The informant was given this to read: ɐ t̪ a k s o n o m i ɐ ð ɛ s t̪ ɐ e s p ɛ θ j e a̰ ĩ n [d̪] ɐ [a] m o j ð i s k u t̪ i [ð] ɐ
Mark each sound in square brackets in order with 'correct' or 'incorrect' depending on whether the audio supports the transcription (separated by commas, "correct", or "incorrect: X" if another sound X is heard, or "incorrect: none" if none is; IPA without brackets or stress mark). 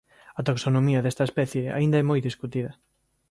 correct, incorrect: ɛ, correct